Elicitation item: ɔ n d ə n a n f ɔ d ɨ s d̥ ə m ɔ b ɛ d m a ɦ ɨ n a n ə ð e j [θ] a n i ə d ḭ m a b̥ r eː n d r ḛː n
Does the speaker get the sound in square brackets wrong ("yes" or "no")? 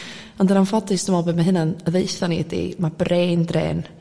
no